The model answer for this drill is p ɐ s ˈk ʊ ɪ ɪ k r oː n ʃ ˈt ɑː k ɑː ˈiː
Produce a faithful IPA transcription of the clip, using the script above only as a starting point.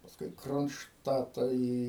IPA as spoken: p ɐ s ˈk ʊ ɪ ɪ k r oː n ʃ ˈt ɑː t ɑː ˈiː